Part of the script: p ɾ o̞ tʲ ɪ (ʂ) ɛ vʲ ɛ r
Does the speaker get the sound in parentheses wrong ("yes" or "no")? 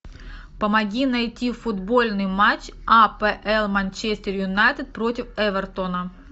yes